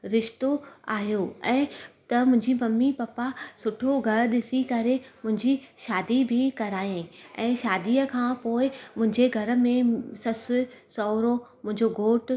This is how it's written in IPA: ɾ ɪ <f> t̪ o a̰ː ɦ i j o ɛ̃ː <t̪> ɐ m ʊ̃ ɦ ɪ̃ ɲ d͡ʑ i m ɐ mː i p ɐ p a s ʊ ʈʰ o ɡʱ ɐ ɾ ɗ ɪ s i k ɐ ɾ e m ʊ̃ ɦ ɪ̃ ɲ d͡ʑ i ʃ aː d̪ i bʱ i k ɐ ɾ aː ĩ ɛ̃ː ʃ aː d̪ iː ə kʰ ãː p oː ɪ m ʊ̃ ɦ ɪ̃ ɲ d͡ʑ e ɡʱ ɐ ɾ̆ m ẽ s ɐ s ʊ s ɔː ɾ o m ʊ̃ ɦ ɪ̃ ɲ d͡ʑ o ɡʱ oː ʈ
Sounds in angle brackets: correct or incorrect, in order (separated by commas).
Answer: incorrect, correct